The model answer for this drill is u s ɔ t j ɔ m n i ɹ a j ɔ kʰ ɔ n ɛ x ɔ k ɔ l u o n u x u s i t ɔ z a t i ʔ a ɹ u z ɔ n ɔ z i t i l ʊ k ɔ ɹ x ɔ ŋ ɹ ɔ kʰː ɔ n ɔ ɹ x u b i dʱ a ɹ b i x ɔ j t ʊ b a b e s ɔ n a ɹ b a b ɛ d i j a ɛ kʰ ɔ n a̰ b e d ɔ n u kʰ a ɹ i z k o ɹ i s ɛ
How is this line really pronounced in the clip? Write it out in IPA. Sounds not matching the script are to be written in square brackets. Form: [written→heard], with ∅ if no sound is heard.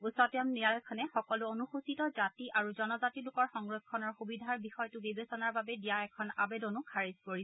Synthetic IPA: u s ɔ t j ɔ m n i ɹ a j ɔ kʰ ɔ n ɛ x ɔ k ɔ l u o n u x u s i t ɔ z a t i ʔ a ɹ u z ɔ n ɔ z [i→a] t i l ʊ k ɔ ɹ x ɔ ŋ ɹ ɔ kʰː ɔ n ɔ ɹ x u b i dʱ a ɹ b i x ɔ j t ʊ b [a→i] b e s ɔ n a ɹ b a b ɛ d i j a ɛ kʰ ɔ n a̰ b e d ɔ n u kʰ a ɹ i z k o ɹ i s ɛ